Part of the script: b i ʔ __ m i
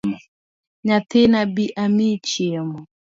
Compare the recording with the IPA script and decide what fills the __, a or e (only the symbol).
a